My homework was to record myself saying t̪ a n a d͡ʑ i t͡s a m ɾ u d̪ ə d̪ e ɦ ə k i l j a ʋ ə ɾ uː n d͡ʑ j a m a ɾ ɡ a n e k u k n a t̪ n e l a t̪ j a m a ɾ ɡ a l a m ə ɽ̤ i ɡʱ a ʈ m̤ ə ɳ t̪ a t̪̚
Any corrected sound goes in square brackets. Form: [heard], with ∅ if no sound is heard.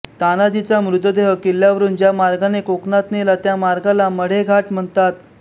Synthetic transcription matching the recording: t̪ a n a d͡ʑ i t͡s a m ɾ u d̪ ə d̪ e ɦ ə k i l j a ʋ ə ɾ uː n d͡ʑ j a m a ɾ ɡ a n e k [o] k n a t̪ n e l a t̪ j a m a ɾ ɡ a l a m ə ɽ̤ [e] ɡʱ a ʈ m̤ ə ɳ t̪ a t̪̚